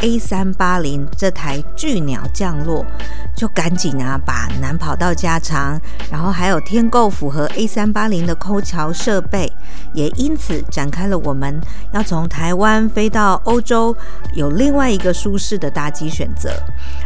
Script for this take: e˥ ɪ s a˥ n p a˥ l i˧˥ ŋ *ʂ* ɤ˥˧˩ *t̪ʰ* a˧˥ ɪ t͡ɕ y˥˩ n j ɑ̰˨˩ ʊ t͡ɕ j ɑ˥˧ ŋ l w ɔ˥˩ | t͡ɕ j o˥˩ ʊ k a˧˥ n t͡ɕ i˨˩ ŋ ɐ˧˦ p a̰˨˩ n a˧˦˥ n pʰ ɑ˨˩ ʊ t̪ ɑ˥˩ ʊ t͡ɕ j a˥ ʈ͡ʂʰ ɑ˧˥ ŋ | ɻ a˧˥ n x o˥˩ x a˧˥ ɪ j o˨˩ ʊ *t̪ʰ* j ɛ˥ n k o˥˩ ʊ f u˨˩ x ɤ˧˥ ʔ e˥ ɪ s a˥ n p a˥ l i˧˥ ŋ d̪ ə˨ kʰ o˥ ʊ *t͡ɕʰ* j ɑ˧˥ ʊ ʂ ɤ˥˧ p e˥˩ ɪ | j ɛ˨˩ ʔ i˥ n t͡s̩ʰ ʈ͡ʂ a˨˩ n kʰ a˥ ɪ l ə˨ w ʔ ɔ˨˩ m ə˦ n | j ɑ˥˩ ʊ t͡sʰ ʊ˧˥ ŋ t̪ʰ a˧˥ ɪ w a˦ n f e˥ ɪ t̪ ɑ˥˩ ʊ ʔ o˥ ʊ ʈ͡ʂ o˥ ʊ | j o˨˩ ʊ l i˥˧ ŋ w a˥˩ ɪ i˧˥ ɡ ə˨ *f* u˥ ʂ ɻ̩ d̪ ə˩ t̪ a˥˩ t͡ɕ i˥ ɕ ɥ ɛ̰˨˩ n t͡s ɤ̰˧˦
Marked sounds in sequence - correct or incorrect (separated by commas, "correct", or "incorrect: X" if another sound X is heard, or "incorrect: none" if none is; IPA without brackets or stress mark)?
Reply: incorrect: ʈ͡ʂ, correct, correct, correct, incorrect: ʂ